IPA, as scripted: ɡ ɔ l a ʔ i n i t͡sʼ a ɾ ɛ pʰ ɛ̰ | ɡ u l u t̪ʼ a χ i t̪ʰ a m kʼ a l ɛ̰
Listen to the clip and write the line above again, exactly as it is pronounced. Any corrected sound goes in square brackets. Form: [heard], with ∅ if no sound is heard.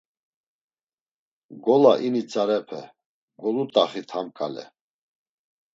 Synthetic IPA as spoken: ɡ ɔ l a ʔ i n i t͡sʼ a ɾ ɛ pʰ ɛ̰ | ɡ [ɔ] l u t̪ʼ a χ i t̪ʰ a m kʼ a l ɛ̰